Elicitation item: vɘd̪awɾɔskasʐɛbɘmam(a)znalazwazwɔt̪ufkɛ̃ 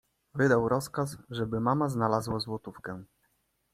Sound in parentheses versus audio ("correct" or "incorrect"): correct